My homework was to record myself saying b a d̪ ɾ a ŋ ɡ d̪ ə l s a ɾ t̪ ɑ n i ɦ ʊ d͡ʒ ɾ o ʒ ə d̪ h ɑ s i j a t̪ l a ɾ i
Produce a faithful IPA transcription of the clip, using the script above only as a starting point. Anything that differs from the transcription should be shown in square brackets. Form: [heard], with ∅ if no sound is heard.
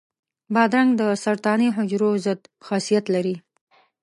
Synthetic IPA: b [ɑ] d̪ ɾ a ŋ ɡ d̪ ə [∅] s a ɾ t̪ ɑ n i ɦ ʊ d͡ʒ ɾ o [z] ə d̪ [x] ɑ s i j a t̪ l a ɾ i